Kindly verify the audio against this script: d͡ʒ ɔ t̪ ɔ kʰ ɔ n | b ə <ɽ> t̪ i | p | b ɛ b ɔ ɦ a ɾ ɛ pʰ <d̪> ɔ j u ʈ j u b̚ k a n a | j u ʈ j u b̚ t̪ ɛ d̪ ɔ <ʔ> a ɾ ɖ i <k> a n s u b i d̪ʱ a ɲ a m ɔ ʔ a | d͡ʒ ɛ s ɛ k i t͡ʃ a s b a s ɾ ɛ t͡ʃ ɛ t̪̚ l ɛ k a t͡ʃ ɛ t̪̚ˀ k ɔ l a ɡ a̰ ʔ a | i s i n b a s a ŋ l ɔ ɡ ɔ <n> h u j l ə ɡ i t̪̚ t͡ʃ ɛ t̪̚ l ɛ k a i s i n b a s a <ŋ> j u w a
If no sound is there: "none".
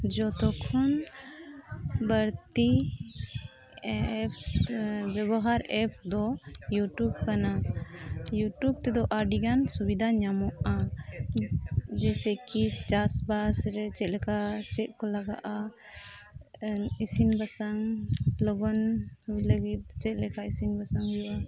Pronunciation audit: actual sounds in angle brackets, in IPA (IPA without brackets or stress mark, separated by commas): ɾ, d̪, ʔ, ɡ, n, ŋ